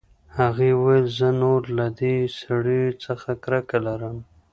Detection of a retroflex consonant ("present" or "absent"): present